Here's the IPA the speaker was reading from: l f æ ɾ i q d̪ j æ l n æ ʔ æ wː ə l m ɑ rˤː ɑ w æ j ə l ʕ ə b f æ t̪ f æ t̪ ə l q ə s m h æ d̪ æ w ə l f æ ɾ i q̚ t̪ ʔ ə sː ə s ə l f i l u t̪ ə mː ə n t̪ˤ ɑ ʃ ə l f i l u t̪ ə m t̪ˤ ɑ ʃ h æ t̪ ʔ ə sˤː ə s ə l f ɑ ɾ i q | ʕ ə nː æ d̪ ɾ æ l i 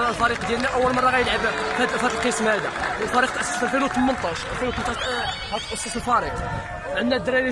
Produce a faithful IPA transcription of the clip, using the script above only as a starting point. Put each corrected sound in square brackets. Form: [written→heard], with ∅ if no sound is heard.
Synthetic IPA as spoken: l f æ ɾ i q d̪ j æ l n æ ʔ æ wː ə l m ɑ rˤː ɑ [w→ɣ] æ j ə l ʕ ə b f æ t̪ f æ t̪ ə l q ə s m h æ d̪ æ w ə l f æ ɾ i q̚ t̪ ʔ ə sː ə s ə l f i l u t̪ ə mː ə n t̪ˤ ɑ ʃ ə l f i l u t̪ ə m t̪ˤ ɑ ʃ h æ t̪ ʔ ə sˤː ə s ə l f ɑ ɾ i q | ʕ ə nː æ d̪ ɾ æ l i

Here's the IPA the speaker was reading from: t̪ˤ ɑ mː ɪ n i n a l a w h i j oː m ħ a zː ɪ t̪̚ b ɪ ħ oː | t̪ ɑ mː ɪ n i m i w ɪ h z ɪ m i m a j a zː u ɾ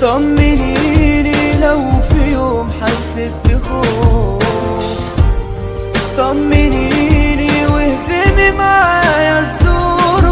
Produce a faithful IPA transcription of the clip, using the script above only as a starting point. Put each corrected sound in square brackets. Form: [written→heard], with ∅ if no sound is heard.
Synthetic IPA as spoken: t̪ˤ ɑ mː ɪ n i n [a→i] l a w [h→f] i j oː m ħ a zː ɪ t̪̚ b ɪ [ħ→x] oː | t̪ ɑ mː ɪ n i [m→n] i w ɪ h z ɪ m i m a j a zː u ɾ

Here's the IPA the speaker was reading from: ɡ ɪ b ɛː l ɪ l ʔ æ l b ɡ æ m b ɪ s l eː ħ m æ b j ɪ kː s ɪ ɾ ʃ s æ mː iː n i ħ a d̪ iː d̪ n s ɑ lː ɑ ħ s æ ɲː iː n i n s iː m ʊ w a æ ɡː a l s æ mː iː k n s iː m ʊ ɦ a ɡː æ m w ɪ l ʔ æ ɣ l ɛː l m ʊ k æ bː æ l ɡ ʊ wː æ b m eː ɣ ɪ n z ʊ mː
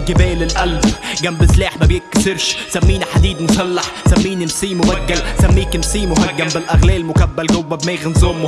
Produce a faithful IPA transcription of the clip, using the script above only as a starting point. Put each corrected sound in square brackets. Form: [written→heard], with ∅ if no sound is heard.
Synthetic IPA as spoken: ɡ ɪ b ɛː l ɪ l ʔ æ l b ɡ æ m b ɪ s l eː ħ m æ b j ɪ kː s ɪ ɾ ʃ s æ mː iː n i ħ a d̪ iː d̪ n s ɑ lː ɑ ħ s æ [ɲː→mː] iː n i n s iː m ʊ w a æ ɡː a l s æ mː iː k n s iː m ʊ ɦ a ɡː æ m [w→b] ɪ l ʔ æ ɣ l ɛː l m ʊ k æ bː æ l ɡ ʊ wː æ b m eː ɣ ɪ n z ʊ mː

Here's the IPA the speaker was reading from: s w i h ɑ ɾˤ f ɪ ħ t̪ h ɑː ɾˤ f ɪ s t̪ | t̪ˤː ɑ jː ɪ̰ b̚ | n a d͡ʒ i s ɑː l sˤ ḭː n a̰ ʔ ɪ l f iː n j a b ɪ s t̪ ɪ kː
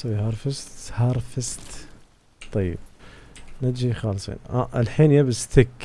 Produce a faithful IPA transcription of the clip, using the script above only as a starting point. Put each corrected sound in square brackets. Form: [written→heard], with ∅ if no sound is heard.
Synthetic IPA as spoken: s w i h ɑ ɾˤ f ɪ [ħ→s] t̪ h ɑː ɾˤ f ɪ s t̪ | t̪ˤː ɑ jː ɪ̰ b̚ | n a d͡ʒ i [s→x] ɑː l sˤ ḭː n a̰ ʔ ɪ l [f→ħ] iː n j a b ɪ s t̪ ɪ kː

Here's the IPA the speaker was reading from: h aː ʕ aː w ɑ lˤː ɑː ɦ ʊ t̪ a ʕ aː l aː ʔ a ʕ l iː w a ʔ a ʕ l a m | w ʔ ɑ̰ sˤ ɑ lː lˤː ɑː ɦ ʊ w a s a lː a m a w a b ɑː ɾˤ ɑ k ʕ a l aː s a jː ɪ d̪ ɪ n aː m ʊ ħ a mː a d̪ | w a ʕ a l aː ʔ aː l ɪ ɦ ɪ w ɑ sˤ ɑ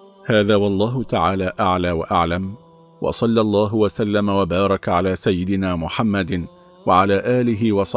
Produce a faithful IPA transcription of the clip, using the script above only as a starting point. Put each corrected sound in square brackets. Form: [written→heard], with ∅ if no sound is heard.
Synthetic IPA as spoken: h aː [ʕ→ð] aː w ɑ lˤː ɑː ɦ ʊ t̪ a ʕ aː l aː ʔ a ʕ l [iː→aː] w a ʔ a ʕ l a m | w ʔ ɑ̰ sˤ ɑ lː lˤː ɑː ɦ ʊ w a s a lː a m a w a b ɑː ɾˤ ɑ k ʕ a l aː s a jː ɪ d̪ ɪ n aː m ʊ ħ a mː a d̪ | w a ʕ a l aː ʔ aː l ɪ ɦ ɪ w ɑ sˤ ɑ

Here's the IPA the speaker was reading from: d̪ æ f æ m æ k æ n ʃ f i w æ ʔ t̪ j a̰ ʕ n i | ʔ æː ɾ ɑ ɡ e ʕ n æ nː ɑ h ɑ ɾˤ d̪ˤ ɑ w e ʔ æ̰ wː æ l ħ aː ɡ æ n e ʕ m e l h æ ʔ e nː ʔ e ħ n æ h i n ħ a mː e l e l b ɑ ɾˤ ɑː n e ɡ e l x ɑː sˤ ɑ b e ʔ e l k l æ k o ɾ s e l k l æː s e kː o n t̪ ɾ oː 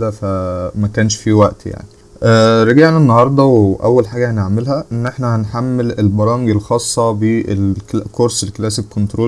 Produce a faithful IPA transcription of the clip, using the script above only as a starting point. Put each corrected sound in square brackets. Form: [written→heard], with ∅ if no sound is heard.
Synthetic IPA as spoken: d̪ æ f æ m æ k [æ→æː] n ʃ f i w æ ʔ t̪ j a̰ ʕ n i | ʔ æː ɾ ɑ ɡ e ʕ n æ nː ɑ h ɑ ɾˤ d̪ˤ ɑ w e ʔ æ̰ wː æ l ħ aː ɡ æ n e ʕ m e l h æ ʔ e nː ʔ e ħ n æ h [i→æ] n ħ a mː e l e l b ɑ ɾˤ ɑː [n→m] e ɡ e l x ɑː [sˤ→sˤː] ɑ b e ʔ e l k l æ k o ɾ s e l k l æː s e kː o n t̪ ɾ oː

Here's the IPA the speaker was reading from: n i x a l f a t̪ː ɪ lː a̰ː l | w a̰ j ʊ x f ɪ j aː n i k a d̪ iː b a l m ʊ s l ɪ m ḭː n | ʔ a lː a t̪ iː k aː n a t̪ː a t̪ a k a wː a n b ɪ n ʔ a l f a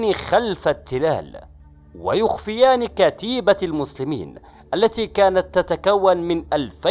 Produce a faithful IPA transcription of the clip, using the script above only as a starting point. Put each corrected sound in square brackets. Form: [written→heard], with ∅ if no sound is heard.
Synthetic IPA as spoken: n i x a l f a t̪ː ɪ [lː→l] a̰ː l | w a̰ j ʊ x f ɪ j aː n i k a [d̪→t̪] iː b a l m ʊ s l ɪ m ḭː n | ʔ a lː a t̪ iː k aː n a t̪ː a t̪ a k a wː a n [b→m] ɪ n ʔ a l f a

